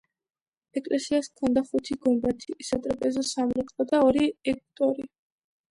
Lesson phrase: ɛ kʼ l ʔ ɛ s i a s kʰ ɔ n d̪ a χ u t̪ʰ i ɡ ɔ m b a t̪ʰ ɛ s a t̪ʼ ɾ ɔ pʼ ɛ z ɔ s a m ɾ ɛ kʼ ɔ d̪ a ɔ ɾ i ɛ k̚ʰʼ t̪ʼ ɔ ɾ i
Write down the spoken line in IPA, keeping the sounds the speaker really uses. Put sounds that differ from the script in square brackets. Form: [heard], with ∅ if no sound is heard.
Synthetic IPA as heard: ɛ kʼ l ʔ ɛ s i a s kʰ ɔ n d̪ a χ u t̪ʰ i ɡ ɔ m b a t̪ʰ [i] s a t̪ʼ ɾ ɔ pʼ ɛ z ɔ s a m ɾ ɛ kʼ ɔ d̪ a ɔ ɾ i ɛ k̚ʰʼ t̪ʼ ɔ ɾ i

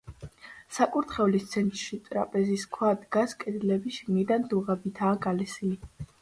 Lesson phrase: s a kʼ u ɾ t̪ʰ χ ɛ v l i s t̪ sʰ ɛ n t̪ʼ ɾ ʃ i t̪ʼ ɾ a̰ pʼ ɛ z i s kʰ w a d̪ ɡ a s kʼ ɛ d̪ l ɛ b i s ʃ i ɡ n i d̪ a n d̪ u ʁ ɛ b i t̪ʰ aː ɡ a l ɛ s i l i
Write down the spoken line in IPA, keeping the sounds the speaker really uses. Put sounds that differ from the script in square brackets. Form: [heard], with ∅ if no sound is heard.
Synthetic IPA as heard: s a kʼ u ɾ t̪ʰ χ ɛ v l i s t̪ sʰ ɛ n t̪ʼ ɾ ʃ i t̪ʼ ɾ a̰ pʼ ɛ z i s kʰ w a d̪ ɡ a s kʼ ɛ d̪ l ɛ b i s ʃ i ɡ n i d̪ a n d̪ u ʁ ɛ b i t̪ʰ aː ɡ a l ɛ s i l i

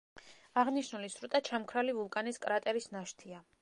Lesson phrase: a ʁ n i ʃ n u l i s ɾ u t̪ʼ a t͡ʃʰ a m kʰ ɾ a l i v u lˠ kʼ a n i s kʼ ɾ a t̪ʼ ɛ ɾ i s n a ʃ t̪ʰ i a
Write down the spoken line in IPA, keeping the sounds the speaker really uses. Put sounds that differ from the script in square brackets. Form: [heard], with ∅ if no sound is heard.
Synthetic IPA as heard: a ʁ n i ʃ n u l i s ɾ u t̪ʼ a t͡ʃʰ a m kʰ ɾ a l i v u lˠ kʼ a n i s kʼ ɾ a t̪ʼ ɛ ɾ i s n a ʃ t̪ʰ i a

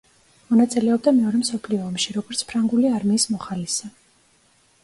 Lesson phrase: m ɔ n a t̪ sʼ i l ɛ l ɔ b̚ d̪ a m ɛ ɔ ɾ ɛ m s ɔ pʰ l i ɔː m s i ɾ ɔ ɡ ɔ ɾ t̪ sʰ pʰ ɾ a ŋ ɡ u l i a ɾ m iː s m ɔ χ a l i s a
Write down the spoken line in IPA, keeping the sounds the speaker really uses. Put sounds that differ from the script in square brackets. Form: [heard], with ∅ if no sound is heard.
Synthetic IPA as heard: m ɔ n a t̪ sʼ i l ɛ [∅] ɔ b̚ d̪ a m ɛ ɔ ɾ ɛ m s ɔ pʰ l i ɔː m [ʃ] i ɾ ɔ ɡ ɔ ɾ t̪ sʰ pʰ ɾ a ŋ ɡ u l i a ɾ m iː s m ɔ χ a l i s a

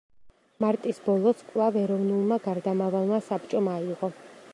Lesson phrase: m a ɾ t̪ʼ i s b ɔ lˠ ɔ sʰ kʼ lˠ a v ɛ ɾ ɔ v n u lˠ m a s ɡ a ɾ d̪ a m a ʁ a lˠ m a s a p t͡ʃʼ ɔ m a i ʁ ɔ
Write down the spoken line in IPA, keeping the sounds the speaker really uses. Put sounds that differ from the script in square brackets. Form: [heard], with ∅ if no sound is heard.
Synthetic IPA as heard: m a ɾ t̪ʼ i s b ɔ lˠ ɔ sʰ kʼ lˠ a v ɛ ɾ ɔ v n u lˠ m a [∅] ɡ a ɾ d̪ a m a [v] a lˠ m a s a p t͡ʃʼ ɔ m a i ʁ ɔ

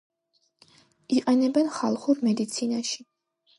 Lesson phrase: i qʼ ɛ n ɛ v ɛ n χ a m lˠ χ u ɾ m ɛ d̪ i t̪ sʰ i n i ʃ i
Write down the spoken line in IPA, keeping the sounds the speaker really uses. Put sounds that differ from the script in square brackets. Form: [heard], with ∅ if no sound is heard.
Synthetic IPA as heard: i qʼ ɛ n ɛ [b] ɛ n χ a [∅] lˠ χ u ɾ m ɛ d̪ i t̪ sʰ i n [a] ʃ i

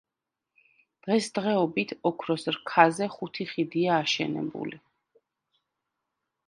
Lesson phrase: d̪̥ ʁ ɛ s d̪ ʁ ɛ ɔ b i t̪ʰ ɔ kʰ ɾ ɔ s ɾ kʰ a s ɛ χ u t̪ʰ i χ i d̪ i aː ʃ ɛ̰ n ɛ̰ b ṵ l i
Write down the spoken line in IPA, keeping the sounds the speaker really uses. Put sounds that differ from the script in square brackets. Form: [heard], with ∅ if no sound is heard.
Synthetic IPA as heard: d̪̥ ʁ ɛ s d̪ ʁ ɛ ɔ b i t̪ʰ ɔ kʰ ɾ ɔ s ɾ kʰ a [z] ɛ χ u t̪ʰ i χ i d̪ i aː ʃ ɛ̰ n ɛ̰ b ṵ l i

